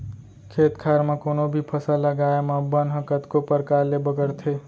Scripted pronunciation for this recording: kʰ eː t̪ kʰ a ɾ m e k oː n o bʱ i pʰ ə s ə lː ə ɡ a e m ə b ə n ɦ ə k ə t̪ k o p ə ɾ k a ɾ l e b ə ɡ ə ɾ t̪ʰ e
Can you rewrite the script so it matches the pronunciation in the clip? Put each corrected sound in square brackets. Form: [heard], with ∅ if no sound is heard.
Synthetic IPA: kʰ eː t̪ kʰ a ɾ m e k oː n o bʱ i pʰ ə s ə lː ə ɡ a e m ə b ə n ɦ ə k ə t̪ k o p ə ɾ k a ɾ l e b ə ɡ ə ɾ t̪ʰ e